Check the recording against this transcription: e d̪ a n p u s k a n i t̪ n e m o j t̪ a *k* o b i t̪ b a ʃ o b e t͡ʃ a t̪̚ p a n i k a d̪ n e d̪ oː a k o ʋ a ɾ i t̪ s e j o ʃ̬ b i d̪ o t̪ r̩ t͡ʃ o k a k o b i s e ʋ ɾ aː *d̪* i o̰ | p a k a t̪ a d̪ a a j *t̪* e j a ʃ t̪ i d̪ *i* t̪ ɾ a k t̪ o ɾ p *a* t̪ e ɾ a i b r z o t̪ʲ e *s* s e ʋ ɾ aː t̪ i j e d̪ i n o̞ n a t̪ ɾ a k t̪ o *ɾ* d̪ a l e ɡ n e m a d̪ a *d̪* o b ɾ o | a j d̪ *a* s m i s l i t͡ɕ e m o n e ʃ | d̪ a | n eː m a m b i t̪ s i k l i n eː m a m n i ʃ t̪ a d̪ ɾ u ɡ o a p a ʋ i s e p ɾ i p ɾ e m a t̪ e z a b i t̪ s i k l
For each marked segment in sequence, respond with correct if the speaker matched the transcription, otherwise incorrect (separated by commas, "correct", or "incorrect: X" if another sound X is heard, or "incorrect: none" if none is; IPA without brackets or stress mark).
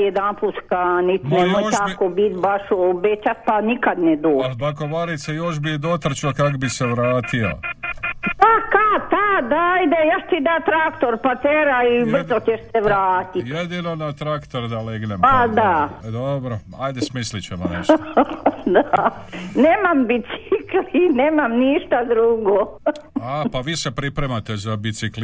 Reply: correct, incorrect: t̪, incorrect: d̪, incorrect: a, correct, incorrect: ʃ, correct, correct, incorrect: e